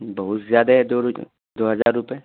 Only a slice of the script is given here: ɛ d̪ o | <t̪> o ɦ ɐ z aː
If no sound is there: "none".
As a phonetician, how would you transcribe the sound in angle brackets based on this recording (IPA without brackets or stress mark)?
d̪